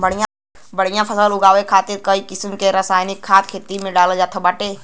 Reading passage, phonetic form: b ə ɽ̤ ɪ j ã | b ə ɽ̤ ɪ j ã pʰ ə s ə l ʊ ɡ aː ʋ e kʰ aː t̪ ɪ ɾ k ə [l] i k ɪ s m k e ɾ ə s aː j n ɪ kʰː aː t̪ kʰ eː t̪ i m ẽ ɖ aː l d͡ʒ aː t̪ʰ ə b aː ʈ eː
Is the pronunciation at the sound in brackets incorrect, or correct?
incorrect